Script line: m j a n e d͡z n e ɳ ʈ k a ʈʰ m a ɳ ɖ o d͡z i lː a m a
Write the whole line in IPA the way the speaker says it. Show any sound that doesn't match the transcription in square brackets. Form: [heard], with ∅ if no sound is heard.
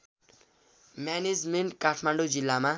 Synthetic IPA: m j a n e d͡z [m] e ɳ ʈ k a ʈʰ m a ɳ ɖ o d͡z i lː a m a

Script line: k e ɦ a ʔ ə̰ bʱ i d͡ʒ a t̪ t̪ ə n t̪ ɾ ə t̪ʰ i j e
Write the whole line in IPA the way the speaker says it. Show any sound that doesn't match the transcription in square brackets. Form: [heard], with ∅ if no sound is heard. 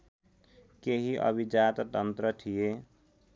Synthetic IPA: k e ɦ [i] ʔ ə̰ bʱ i d͡ʒ a t̪ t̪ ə n t̪ ɾ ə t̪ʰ i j e

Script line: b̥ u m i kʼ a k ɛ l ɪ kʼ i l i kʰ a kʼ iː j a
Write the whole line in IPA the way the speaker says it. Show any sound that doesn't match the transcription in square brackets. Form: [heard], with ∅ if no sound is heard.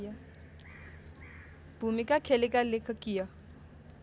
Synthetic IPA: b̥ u m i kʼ a [kʰ] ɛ l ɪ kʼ [a] l [ɪ] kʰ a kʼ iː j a

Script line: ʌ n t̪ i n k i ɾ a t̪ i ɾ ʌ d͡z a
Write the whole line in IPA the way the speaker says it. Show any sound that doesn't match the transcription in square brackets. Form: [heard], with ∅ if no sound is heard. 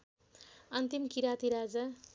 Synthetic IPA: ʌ n t̪ i [m] k i ɾ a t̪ i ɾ [a] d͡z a

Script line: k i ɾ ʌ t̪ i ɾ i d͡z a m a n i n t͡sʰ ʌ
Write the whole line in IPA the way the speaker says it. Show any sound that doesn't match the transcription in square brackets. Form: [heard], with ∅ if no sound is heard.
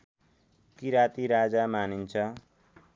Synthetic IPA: k i ɾ [a] t̪ i ɾ [a] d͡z a m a n i n t͡sʰ ʌ

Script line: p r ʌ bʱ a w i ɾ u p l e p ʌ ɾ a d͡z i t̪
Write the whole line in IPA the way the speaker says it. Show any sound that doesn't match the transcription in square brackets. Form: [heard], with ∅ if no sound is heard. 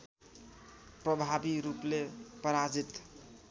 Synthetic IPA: p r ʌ bʱ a [b] i ɾ u p l e p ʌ ɾ a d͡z i t̪

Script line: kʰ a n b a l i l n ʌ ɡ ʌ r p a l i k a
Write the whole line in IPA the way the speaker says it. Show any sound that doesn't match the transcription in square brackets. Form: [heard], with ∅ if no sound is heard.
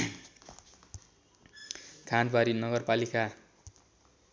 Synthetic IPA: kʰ a n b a [ɾ] i [∅] n ʌ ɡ ʌ r p a l i k a

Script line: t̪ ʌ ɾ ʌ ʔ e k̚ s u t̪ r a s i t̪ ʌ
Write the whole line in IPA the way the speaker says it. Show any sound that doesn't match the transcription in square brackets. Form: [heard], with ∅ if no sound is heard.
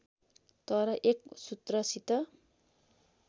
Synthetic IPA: t̪ ʌ ɾ ʌ ʔ e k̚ s u t̪ r [ʌ] s i t̪ ʌ

